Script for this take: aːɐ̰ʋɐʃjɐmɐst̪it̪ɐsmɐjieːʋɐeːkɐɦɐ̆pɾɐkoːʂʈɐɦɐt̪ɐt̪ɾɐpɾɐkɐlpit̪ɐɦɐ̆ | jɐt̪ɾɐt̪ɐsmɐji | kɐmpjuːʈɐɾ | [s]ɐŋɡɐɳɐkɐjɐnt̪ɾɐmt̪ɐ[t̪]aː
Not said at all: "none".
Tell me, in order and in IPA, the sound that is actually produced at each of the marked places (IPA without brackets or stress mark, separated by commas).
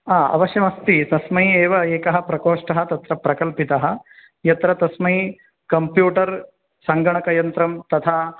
s, t̪ʰ